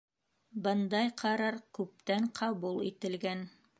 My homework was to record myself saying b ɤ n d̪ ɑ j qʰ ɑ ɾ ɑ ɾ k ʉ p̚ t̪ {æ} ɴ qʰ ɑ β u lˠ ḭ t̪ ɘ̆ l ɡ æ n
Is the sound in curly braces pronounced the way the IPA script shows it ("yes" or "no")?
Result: yes